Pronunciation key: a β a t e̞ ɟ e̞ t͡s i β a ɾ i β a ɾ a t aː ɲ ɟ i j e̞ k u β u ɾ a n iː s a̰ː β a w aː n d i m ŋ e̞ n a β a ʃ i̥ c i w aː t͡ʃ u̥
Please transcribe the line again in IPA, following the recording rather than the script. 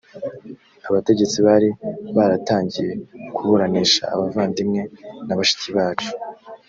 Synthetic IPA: a β a t e̞ ɟ e̞ t͡s i β a ɾ i β a ɾ a t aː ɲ ɟ i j e̞ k u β u ɾ a n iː ʃ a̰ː β a v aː n d i m ŋ e̞ n a β a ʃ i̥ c i β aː t͡ʃ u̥